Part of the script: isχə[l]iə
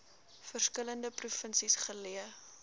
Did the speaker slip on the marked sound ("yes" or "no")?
no